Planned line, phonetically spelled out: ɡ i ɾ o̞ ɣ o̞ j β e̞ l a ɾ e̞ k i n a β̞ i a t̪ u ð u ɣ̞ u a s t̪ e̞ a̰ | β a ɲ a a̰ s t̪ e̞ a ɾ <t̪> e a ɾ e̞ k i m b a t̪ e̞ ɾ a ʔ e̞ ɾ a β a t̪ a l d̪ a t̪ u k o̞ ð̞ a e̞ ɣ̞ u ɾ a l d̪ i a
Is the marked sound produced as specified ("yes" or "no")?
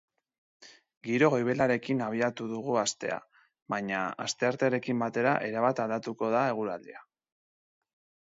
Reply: yes